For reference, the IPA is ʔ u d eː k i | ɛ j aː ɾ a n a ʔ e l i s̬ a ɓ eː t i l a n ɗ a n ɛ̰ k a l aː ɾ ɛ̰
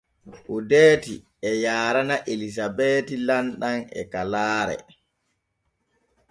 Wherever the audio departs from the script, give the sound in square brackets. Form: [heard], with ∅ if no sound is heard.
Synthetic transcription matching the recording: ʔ u d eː [t] i | ɛ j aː ɾ a n a ʔ e l i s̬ a [b] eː t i l a n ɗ a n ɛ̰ k a l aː ɾ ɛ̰